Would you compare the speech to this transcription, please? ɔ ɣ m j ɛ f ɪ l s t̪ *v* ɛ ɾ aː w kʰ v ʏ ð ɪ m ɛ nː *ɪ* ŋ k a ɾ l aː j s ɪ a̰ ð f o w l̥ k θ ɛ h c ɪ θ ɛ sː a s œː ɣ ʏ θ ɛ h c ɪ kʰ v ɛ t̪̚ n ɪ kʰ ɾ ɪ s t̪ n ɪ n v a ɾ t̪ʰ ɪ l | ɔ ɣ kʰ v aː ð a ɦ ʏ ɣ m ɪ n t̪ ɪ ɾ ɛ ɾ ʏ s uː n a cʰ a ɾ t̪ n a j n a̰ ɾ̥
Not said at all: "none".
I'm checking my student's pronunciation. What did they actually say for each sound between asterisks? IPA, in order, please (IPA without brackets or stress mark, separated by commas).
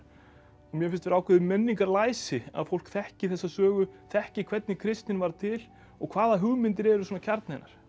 v, i